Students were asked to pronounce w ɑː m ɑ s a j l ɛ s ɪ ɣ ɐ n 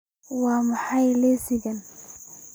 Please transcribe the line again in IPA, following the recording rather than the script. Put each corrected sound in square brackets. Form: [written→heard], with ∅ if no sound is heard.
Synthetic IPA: w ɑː m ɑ [s→ħ] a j l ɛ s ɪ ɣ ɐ n